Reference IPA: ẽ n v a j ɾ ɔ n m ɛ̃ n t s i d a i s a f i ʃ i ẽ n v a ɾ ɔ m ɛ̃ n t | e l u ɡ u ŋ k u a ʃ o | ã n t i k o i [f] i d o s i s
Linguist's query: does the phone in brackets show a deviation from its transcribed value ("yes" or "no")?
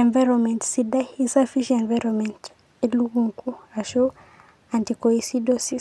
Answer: yes